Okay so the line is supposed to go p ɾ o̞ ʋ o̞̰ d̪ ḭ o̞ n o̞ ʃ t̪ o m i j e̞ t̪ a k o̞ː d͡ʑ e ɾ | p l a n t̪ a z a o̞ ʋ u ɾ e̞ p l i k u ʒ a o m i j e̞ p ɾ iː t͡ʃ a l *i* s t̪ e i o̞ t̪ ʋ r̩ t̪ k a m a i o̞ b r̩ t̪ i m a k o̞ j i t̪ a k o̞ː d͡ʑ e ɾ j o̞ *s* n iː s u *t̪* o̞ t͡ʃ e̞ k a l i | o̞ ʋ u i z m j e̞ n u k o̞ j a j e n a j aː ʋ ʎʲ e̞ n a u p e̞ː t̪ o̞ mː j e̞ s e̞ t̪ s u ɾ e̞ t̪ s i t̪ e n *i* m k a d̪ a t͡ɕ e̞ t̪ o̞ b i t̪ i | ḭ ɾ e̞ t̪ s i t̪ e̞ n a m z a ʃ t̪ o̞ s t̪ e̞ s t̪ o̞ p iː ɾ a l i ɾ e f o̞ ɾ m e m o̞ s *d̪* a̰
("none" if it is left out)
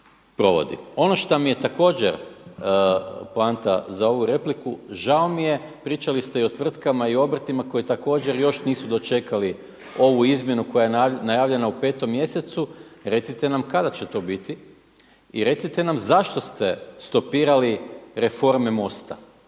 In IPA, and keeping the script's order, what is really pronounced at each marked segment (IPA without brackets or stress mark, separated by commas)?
i, ʃ, d̪, a, t̪